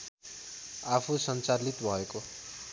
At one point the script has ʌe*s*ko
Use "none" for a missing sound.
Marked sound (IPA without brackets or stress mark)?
none